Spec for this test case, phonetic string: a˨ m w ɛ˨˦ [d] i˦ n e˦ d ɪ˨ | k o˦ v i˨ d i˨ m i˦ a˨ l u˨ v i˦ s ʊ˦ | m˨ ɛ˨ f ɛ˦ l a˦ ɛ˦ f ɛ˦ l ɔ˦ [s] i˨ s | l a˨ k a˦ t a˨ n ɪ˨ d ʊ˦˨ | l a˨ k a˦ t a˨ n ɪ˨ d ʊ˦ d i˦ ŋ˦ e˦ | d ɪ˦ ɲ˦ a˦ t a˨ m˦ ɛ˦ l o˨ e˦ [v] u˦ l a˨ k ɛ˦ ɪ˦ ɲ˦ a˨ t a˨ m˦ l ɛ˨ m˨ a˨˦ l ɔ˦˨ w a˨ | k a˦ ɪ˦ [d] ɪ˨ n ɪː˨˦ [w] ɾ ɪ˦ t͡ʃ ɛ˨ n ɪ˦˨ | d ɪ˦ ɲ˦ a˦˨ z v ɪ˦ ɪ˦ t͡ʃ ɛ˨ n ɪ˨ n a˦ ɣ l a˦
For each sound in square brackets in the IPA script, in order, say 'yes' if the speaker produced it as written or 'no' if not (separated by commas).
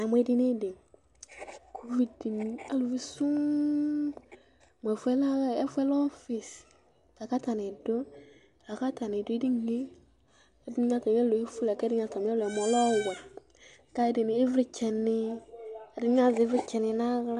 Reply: yes, no, no, yes, no